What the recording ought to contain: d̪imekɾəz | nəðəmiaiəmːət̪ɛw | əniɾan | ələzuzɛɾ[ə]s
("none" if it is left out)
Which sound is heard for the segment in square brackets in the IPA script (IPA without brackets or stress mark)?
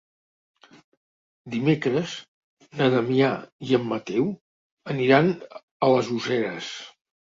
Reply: ə